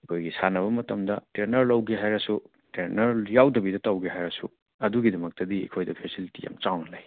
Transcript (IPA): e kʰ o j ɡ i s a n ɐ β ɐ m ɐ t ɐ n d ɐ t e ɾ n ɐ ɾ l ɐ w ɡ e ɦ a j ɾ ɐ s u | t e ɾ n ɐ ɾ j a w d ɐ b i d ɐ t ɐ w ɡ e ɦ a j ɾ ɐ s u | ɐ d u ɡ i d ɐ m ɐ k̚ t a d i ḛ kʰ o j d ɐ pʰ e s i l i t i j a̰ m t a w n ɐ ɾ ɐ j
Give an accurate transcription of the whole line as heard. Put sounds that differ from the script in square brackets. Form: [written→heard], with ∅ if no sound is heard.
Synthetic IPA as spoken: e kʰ o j ɡ i s a n ɐ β ɐ m ɐ t ɐ [n→m] d ɐ t e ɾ n ɐ ɾ l ɐ w ɡ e ɦ a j ɾ ɐ s u | t e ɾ n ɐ ɾ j a w d ɐ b i d ɐ t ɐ w ɡ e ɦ a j ɾ ɐ s u | ɐ d u ɡ i d ɐ m ɐ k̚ t [a→ɐ] d i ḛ kʰ o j d ɐ pʰ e s i l i t i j a̰ m [t→t͡ʃ] a w n ɐ [ɾ→l] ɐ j